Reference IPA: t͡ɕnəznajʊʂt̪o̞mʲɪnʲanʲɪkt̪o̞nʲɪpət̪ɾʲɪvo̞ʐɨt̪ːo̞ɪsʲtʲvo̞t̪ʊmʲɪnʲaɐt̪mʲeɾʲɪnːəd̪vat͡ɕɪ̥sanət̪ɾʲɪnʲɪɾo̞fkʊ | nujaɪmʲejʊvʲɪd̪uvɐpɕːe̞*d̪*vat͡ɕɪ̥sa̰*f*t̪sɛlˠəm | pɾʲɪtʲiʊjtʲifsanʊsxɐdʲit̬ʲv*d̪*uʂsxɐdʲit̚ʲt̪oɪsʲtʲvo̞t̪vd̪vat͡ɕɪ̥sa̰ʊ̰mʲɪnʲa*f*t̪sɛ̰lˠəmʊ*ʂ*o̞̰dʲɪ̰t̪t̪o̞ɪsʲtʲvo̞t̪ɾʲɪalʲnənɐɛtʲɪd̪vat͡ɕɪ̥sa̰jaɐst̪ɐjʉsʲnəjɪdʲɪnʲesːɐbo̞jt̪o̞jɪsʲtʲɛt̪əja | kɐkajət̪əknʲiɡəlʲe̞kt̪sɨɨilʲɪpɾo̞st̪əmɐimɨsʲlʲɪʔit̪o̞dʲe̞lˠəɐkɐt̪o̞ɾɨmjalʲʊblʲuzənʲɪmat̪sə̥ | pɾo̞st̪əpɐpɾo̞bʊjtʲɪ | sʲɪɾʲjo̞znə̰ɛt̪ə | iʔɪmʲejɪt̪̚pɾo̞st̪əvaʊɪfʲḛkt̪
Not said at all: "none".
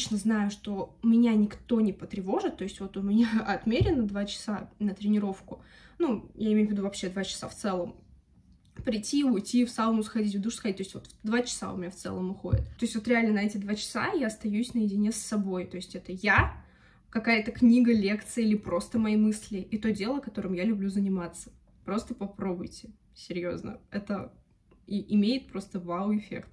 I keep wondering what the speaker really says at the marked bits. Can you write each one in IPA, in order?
d̪, f, d̪, f, x

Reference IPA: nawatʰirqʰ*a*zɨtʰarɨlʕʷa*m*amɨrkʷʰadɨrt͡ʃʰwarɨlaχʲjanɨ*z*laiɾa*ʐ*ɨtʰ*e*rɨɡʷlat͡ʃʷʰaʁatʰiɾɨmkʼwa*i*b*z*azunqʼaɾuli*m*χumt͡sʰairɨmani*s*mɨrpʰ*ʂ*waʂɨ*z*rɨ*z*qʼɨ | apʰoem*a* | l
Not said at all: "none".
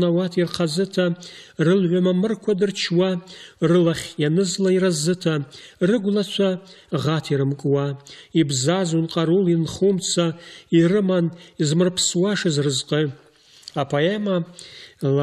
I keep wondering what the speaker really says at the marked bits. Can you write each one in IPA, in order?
a, m, z, z, a, i, z, n, z, s, z, z, a

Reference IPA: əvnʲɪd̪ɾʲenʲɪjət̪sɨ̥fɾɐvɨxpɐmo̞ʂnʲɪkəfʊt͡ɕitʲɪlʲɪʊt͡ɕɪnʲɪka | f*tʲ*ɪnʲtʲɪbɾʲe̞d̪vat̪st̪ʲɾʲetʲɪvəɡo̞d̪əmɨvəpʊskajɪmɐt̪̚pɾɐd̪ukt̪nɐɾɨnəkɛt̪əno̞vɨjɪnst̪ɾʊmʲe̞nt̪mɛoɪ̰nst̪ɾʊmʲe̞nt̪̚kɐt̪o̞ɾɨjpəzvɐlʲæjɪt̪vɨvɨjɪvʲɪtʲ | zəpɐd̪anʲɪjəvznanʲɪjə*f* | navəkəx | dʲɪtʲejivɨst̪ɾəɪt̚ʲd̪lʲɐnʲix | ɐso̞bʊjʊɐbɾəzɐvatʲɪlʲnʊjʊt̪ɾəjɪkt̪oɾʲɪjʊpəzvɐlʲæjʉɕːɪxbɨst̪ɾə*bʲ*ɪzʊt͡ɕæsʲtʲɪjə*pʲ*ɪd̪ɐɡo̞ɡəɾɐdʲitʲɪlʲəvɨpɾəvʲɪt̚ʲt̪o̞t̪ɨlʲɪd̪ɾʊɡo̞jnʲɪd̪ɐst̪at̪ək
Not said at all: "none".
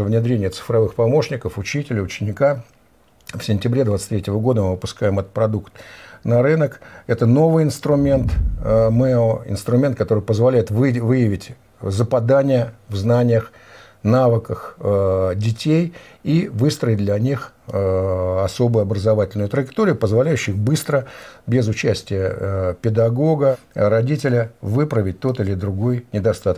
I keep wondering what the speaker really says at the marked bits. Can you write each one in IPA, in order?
sʲ, x, bʲ, pʲ

